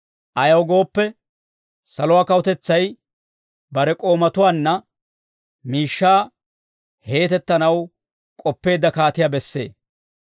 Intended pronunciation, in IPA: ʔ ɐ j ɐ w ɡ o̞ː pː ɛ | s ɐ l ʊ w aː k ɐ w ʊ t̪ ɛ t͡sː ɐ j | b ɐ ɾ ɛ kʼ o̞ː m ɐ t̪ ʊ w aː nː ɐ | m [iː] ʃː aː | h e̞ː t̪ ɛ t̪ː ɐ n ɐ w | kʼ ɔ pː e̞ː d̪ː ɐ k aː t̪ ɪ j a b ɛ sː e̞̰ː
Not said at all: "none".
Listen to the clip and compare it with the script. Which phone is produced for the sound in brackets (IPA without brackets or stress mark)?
iː